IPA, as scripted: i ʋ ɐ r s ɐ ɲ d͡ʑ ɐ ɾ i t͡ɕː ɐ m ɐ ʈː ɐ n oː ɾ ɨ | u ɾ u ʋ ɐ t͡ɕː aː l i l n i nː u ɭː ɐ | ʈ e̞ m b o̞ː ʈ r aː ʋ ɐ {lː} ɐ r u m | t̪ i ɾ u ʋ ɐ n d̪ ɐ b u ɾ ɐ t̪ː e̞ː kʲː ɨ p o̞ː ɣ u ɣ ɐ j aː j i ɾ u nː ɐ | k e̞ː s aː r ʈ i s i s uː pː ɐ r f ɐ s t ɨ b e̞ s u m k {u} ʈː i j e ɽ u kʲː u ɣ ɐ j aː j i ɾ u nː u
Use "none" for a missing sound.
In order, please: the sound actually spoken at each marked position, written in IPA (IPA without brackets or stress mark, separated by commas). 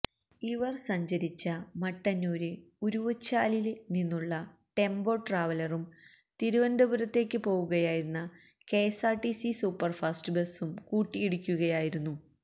l, uː